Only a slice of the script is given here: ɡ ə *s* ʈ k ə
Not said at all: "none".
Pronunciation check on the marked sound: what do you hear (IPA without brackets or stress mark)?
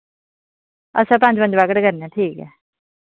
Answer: none